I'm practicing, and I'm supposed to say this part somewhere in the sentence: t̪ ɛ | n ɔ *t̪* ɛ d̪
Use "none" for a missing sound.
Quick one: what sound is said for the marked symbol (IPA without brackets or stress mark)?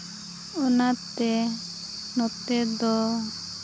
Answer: t̪